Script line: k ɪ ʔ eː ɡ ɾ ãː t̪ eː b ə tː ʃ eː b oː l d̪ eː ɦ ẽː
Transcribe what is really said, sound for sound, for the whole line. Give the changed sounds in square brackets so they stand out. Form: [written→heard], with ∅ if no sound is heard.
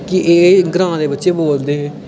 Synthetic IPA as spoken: k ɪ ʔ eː ɡ ɾ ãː [t̪→d̪] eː b ə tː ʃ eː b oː l d̪ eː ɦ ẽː